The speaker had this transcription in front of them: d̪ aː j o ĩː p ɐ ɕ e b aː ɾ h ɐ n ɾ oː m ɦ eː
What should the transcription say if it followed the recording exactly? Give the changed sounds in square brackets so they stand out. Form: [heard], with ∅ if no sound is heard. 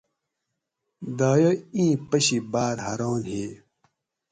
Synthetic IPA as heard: d̪ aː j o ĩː p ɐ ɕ [i] b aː ɾ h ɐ [∅] ɾ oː [n] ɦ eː